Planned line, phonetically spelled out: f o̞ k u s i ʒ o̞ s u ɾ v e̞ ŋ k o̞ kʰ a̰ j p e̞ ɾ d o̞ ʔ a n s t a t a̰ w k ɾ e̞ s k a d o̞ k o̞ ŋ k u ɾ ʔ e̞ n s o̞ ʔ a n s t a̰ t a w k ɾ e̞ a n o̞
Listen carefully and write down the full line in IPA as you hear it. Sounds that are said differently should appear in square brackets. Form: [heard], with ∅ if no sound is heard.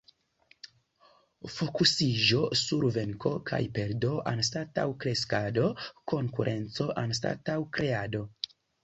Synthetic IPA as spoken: f o̞ k u s i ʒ o̞ s u ɾ v e̞ ŋ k o̞ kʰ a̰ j p e̞ ɾ d o̞ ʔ a n s t a t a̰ w k ɾ e̞ s k a d o̞ k o̞ ŋ k u ɾ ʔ e̞ n [t͡s] o̞ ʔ a n s t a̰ t a w k ɾ e̞ a [d] o̞